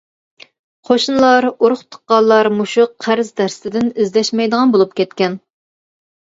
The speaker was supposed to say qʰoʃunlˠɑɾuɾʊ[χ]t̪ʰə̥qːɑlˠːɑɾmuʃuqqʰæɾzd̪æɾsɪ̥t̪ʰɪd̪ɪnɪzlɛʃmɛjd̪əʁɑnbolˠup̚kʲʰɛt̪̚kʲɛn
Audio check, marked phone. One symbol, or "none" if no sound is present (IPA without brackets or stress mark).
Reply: χ